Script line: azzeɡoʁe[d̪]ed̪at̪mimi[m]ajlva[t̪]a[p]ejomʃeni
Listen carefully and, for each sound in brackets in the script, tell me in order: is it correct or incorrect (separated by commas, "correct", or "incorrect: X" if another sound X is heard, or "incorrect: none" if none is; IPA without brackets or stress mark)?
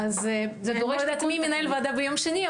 incorrect: none, incorrect: n, incorrect: d̪, incorrect: b